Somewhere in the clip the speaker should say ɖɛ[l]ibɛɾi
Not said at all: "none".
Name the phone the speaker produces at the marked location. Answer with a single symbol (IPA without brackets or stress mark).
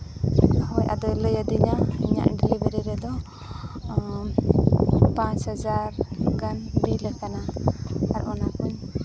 l